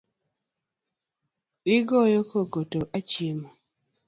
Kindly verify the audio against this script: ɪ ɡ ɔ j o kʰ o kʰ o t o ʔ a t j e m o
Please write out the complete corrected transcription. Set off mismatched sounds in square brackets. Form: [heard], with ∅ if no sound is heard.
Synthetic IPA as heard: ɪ ɡ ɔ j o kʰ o [k] o t o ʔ a [t͡ʃ] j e m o